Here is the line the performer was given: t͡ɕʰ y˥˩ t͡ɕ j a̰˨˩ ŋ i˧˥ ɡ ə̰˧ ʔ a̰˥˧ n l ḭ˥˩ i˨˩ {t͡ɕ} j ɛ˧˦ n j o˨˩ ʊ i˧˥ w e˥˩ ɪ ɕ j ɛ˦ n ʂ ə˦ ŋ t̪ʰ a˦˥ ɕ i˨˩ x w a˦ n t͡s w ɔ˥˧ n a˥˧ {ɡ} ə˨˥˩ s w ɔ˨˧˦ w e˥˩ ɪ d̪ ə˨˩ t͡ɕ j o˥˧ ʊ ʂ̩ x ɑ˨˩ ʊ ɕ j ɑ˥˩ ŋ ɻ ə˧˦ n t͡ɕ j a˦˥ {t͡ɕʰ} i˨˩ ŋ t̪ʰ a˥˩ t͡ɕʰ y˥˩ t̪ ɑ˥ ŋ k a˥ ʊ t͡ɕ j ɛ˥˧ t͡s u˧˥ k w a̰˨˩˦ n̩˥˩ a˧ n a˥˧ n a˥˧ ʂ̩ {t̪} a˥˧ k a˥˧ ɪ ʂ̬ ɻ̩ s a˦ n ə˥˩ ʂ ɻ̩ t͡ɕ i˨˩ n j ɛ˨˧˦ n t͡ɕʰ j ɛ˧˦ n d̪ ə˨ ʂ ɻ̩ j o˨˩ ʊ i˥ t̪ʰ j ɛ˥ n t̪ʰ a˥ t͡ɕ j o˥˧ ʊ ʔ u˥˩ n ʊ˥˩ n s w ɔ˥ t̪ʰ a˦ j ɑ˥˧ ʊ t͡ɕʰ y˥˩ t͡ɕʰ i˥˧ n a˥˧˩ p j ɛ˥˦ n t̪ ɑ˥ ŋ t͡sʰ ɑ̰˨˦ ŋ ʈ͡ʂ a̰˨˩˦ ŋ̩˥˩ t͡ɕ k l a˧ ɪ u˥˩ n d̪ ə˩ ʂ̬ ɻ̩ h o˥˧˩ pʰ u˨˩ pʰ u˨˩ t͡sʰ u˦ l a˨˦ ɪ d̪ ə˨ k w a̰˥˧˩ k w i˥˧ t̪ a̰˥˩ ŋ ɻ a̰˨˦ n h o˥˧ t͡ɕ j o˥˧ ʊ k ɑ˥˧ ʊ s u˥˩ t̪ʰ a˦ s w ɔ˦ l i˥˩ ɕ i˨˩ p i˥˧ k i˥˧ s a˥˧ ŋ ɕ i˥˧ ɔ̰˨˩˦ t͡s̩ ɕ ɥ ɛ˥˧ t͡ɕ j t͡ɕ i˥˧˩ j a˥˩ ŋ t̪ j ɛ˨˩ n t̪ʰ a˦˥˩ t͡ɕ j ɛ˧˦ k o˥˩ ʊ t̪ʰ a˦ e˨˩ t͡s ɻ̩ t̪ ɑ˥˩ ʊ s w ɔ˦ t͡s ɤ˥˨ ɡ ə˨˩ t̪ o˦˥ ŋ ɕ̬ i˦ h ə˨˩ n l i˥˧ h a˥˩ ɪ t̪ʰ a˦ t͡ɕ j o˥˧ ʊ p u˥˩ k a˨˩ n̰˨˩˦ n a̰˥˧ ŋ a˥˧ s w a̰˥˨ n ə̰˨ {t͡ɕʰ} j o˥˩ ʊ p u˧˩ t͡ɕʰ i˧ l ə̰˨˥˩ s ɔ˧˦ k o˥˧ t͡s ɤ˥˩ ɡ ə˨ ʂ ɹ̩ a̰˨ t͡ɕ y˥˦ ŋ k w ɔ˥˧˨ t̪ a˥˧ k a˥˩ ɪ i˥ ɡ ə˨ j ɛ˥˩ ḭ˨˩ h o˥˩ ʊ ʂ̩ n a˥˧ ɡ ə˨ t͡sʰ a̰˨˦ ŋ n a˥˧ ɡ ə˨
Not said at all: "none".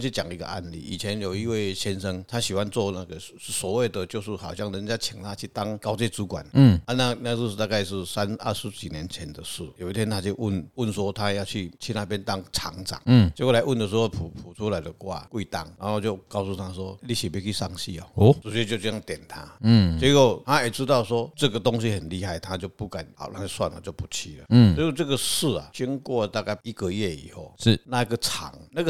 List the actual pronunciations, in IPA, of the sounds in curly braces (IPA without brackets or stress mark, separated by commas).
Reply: t͡ɕʰ, ɡ, t͡ɕʰ, t̪, t͡ɕ